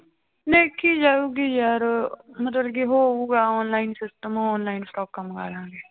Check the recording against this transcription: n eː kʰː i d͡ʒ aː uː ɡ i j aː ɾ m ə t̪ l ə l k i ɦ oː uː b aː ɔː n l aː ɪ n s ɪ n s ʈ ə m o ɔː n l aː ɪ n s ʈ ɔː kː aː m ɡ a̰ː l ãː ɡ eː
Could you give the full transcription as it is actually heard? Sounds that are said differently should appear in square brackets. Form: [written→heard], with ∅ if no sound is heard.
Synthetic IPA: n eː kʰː i d͡ʒ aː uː ɡ i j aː ɾ m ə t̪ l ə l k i ɦ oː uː [b→ɡ] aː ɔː n l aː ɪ n s ɪ [n→∅] s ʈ ə m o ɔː n l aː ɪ n s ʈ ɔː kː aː m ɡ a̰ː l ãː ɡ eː